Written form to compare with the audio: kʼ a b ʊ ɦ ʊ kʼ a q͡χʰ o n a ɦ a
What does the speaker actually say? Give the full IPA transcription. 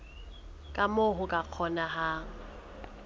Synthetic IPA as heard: kʼ a m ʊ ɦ ʊ kʼ a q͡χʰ ɔ n a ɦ a